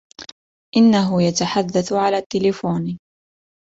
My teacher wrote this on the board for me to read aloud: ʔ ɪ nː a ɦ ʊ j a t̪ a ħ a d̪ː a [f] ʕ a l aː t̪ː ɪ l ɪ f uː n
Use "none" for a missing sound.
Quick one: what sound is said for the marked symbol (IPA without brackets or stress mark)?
θ